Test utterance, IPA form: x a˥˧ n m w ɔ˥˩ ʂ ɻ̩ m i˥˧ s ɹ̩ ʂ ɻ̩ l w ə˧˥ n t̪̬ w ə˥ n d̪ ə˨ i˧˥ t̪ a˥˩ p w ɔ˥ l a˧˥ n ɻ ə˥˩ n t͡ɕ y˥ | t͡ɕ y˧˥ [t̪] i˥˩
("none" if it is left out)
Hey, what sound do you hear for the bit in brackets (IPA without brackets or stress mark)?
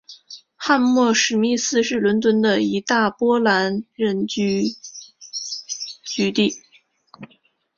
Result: t̪